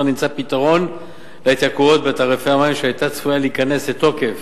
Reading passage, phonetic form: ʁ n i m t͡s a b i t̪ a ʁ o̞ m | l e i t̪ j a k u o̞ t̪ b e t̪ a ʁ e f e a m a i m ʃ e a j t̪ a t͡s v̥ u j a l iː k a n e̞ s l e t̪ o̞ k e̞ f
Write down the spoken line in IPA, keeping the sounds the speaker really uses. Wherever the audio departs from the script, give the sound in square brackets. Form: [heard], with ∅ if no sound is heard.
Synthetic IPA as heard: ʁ n i m t͡s a [p] i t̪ a ʁ o̞ [n] | l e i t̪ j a k u o̞ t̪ b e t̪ a ʁ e f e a m a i m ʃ e a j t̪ a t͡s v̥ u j a l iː k a n e̞ s l e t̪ o̞ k e̞ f